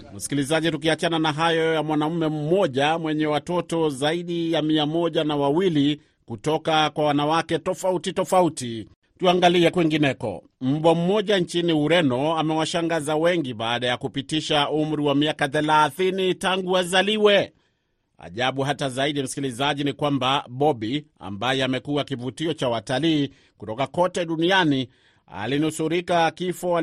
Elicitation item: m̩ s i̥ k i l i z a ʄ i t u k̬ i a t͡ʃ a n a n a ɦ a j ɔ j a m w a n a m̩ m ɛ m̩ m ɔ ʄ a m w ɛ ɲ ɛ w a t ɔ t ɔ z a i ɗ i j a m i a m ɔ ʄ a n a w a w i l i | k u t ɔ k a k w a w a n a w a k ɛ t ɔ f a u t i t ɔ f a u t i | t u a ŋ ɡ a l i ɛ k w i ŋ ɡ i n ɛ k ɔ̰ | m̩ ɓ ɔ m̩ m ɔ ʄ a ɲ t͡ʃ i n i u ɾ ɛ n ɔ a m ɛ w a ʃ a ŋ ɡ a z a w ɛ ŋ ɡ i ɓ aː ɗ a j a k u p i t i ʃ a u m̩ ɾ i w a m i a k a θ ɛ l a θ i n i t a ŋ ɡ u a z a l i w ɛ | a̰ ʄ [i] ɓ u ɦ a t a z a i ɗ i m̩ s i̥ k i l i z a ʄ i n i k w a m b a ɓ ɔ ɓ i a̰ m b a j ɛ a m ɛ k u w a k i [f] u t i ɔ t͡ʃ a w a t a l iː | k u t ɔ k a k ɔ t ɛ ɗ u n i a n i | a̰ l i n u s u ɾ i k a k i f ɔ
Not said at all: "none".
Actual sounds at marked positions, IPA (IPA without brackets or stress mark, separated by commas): a, v